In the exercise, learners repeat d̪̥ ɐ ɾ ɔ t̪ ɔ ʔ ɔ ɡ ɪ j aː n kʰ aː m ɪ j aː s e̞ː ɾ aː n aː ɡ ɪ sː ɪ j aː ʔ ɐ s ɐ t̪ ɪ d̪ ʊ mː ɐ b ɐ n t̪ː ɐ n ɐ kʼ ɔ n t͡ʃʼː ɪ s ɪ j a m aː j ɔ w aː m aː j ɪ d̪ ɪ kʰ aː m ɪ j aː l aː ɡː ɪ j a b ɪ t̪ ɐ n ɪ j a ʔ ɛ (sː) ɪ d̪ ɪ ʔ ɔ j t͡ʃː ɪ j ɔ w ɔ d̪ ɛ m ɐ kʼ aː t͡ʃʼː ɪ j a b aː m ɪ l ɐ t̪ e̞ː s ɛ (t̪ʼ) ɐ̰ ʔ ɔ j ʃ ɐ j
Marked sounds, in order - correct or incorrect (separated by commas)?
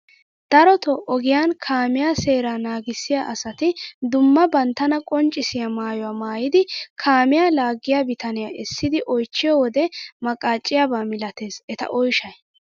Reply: correct, incorrect